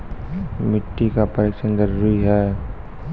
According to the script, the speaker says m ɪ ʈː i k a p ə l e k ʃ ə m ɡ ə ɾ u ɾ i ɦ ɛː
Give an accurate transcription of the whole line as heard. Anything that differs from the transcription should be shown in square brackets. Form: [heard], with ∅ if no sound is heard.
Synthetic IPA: m ɪ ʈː i k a p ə [ɾ] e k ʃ ə [n] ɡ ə ɾ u ɾ i ɦ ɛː